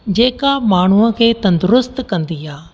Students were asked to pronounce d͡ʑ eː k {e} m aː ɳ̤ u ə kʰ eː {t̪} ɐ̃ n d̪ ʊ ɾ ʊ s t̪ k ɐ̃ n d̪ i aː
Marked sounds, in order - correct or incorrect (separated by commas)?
incorrect, correct